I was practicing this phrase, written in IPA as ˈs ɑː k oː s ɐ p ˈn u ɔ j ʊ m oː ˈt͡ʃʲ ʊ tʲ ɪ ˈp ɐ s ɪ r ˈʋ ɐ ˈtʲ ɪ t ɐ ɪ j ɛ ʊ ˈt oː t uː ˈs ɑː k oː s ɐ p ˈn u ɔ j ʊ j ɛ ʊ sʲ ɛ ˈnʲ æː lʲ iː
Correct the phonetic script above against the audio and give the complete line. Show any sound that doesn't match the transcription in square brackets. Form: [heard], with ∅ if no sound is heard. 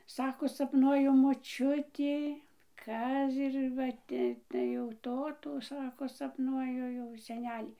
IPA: ˈs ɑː k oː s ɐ p ˈn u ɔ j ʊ m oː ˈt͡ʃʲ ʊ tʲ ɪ [ˈk] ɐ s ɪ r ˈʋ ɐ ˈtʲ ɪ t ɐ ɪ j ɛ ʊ ˈt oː t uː ˈs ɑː k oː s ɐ p ˈn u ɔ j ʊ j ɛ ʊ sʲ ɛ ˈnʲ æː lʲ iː